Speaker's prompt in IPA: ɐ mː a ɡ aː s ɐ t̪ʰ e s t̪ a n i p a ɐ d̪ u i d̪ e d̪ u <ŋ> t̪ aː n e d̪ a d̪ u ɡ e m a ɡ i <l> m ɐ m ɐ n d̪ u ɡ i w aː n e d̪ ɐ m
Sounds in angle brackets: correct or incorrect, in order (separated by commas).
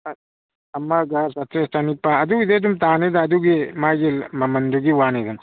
incorrect, correct